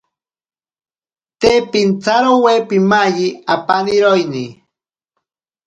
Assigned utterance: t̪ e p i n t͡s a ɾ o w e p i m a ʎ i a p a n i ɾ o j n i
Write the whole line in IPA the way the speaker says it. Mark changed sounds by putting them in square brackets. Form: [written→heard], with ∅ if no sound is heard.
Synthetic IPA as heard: t̪ e p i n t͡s a ɾ o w e p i m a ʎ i a p a n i ɾ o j n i